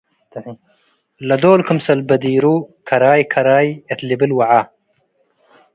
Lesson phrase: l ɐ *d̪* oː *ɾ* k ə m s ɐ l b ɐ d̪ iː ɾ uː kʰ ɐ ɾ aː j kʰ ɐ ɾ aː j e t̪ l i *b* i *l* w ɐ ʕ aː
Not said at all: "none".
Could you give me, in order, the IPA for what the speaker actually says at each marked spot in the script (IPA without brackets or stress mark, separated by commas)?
d̪, l, b, l